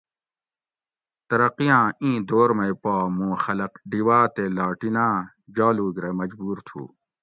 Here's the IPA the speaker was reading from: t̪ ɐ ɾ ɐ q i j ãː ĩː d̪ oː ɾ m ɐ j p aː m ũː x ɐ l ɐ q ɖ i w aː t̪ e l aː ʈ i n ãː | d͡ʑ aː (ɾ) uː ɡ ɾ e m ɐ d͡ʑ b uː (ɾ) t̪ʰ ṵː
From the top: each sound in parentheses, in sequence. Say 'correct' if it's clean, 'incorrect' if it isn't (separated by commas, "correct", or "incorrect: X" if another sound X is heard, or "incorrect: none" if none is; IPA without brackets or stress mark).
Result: incorrect: l, correct